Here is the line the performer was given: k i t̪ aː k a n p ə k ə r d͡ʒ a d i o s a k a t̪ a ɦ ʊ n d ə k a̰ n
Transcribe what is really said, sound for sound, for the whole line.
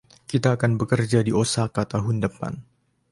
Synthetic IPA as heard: k i t̪ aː k a n b ə k ə r d͡ʒ a d i o s a k a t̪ a ɦ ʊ n d ə p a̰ n

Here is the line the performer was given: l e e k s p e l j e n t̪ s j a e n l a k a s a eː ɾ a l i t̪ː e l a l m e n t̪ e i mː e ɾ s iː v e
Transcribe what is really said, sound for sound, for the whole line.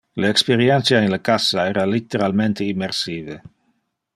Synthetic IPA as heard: l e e k s p e ɾ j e n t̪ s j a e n l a k a s a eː ɾ a l i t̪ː e ɾ a l m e n t̪ e i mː e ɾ s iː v e

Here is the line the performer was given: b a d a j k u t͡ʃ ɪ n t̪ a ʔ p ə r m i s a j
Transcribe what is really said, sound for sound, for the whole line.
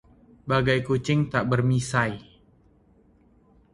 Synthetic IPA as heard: b a ɡ a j k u t͡ʃ ɪ ŋ t̪ a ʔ b ə r m i s a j

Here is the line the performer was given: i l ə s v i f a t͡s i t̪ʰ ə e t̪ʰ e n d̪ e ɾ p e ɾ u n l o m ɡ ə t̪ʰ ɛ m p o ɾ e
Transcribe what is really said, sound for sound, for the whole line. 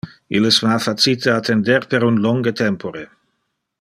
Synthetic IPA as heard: i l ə s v a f a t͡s i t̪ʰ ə a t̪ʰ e n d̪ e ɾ p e ɾ u n l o ŋ ɡ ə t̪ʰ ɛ m p o ɾ e

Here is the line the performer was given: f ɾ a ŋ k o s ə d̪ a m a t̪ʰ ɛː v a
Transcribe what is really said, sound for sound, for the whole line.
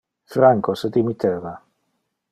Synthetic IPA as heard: f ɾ a ŋ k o s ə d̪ i m i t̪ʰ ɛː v a

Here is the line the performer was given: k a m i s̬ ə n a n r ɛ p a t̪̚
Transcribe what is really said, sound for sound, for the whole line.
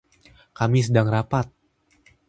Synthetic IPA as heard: k a m i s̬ ə d a ŋ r a p a t̪̚

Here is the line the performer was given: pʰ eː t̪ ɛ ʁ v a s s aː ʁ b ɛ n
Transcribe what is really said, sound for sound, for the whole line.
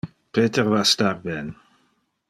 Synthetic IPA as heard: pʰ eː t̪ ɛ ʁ v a s t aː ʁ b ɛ n

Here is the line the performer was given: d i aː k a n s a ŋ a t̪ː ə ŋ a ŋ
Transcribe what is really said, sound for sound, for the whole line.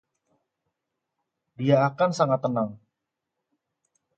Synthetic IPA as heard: d i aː k a n s a ŋ a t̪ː ə n a ŋ

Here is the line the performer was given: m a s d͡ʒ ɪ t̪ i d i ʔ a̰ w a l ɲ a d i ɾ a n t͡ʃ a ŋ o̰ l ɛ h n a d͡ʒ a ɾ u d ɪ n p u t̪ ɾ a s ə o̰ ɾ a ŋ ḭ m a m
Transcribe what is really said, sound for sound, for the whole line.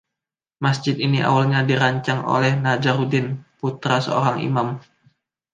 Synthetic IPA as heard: m a s d͡ʒ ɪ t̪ i n i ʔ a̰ w a l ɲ a d i ɾ a ɲ t͡ʃ a ŋ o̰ l ɛ h n a d͡ʒ a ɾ u d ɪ n p u t̪ ɾ a s ə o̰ ɾ a ŋ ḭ m a m

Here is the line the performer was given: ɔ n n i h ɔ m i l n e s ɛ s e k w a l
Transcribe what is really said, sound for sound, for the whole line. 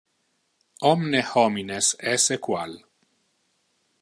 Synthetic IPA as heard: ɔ m n e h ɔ m i n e s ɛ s e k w a l

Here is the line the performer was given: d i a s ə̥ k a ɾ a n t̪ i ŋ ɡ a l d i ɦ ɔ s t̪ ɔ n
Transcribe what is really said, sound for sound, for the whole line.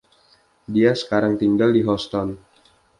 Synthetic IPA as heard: d i a s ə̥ k a ɾ a ŋ t̪ i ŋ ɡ a l d i ɦ ɔ s t̪ ɔ n

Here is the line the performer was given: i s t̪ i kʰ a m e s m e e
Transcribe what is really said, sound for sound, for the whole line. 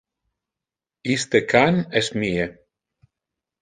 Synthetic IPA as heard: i s t̪ e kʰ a n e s m i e

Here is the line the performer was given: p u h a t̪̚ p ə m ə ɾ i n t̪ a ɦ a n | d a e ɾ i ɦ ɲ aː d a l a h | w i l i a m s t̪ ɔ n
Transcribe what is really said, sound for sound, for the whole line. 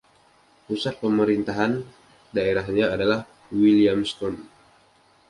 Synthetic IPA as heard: p u s a t̪̚ p ə m ə ɾ i n t̪ a ɦ a n | d a e ɾ a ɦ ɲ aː d a l a h | w i l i a m s t̪ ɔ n

